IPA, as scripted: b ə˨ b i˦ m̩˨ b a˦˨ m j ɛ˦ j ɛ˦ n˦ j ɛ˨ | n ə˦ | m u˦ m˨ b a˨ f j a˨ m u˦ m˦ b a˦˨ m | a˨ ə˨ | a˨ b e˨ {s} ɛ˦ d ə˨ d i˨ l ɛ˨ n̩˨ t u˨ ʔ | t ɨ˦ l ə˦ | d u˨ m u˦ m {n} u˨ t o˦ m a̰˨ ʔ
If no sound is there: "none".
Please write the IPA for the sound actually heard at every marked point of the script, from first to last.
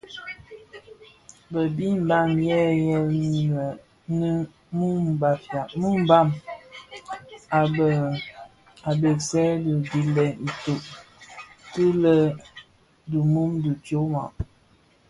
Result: s, d

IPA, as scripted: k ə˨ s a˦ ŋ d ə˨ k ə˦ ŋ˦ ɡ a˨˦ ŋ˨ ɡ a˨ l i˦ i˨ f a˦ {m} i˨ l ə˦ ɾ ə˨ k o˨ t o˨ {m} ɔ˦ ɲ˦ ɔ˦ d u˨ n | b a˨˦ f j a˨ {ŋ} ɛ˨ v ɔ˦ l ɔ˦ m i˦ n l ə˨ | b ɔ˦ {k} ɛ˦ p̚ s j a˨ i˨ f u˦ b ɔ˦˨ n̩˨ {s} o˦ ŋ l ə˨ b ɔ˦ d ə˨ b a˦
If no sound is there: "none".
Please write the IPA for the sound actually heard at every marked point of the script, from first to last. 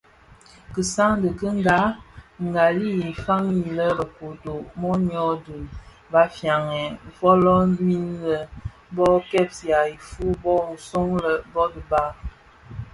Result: ŋ, m, ŋ, k, s

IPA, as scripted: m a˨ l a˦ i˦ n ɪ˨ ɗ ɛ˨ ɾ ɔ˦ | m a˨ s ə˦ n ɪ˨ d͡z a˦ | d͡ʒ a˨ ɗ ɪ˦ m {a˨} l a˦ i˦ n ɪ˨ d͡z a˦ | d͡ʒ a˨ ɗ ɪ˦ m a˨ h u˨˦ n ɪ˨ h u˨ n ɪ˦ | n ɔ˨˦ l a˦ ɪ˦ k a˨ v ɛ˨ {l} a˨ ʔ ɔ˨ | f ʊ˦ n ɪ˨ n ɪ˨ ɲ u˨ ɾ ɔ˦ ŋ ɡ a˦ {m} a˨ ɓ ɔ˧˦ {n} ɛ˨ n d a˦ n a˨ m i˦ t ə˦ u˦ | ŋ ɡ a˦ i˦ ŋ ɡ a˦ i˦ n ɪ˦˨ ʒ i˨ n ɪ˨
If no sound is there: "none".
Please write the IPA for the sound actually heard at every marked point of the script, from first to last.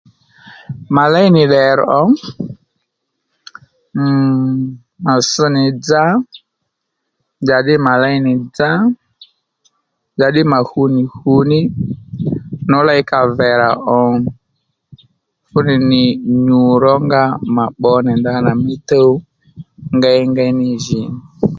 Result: a˨, ɾ, m, n

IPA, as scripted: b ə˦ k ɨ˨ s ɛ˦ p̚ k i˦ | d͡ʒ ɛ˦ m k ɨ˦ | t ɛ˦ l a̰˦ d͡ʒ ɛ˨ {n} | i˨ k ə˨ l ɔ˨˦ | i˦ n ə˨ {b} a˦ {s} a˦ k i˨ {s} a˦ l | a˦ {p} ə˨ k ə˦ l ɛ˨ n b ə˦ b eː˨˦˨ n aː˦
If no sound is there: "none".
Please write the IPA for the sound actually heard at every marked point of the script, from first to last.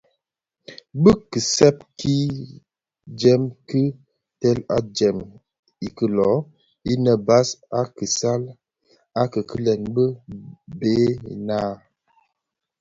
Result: m, b, s, s, k

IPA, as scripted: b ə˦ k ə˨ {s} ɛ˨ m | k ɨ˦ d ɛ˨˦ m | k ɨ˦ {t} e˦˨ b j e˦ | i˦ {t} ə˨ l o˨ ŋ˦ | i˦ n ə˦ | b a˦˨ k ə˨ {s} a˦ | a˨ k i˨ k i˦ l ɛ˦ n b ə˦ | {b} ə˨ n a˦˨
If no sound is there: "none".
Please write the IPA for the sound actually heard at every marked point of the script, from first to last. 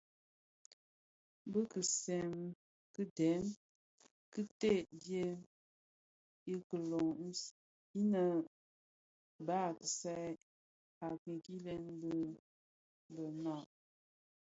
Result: s, t, k, s, b

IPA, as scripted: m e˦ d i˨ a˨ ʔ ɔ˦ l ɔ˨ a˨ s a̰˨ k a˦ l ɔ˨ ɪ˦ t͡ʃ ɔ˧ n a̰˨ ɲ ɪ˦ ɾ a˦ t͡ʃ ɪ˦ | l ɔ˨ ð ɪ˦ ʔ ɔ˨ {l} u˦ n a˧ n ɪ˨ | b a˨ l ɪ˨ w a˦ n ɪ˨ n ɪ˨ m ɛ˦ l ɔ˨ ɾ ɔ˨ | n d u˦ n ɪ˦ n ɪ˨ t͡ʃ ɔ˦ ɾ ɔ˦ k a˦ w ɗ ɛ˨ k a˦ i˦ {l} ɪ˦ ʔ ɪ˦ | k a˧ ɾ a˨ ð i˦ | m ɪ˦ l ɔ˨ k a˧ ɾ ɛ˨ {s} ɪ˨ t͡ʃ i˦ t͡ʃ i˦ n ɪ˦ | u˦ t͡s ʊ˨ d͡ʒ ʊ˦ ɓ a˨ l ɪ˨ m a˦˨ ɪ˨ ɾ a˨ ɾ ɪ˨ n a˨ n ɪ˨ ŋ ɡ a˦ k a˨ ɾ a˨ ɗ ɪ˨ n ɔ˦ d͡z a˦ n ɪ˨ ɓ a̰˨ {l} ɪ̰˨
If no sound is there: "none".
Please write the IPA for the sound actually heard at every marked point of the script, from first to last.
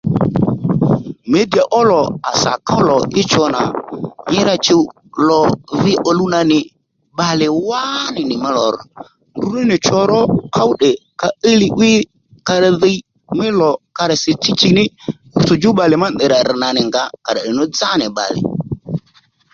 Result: l, l, s, l

